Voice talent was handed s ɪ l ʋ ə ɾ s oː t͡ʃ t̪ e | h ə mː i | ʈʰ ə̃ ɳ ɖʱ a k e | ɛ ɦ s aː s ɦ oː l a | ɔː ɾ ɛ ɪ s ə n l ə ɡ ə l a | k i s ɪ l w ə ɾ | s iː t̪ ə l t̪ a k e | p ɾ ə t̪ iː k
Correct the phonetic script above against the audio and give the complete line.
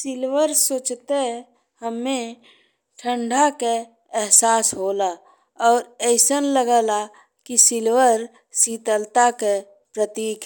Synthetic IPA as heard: s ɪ l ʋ ə ɾ s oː t͡ʃ t̪ e | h ə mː e | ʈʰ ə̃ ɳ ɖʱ a k e | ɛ ɦ s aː s ɦ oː l a | ɔː ɾ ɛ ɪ s ə n l ə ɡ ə l a | k i s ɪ l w ə ɾ | s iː t̪ ə l t̪ a k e | p ɾ ə t̪ iː k